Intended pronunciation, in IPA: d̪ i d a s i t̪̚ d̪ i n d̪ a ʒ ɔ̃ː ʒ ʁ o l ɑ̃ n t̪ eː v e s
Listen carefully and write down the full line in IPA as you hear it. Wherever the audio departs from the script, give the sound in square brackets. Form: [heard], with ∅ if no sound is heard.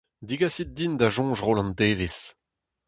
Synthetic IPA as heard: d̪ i [ɡ] a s i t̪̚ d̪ i n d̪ a ʒ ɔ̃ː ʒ ʁ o l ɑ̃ n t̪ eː v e s